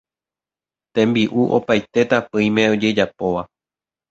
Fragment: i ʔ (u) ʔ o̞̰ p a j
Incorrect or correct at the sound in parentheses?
correct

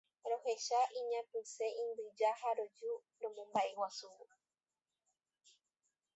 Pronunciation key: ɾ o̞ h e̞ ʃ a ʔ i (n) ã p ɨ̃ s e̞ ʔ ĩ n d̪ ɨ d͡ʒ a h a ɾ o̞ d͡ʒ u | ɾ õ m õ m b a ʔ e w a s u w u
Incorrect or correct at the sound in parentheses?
incorrect: ɲ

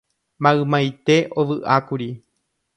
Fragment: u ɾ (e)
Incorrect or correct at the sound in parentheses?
incorrect: i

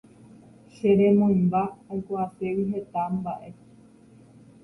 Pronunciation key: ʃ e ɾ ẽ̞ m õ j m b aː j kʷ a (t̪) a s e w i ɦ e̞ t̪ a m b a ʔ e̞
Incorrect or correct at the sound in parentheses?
incorrect: none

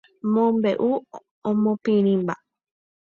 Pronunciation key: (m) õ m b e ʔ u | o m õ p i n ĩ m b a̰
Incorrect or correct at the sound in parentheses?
correct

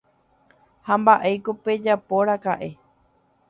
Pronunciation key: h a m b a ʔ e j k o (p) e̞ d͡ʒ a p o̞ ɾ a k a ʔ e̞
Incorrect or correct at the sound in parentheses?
correct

